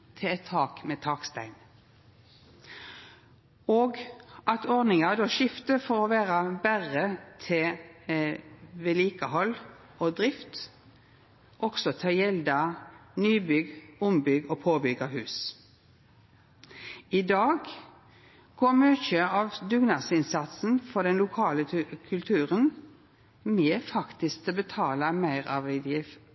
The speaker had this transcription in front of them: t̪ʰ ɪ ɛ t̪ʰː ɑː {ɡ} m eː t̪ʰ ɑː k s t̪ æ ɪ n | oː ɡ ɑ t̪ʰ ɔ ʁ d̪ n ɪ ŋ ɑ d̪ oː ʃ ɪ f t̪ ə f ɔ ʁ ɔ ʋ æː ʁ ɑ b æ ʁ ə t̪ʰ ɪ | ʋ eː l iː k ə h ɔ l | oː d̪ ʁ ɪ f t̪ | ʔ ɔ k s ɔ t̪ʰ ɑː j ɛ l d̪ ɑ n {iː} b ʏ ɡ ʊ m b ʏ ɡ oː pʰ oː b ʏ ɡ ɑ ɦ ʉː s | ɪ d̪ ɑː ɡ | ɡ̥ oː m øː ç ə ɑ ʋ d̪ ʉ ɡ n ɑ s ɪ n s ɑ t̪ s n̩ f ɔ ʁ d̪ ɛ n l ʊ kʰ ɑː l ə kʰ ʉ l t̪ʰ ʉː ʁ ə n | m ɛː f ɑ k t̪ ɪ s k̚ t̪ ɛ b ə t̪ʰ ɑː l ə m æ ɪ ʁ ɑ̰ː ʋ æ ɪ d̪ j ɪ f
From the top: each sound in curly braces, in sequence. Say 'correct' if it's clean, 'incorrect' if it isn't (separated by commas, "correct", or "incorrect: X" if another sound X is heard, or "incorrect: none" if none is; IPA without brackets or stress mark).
incorrect: k, incorrect: yː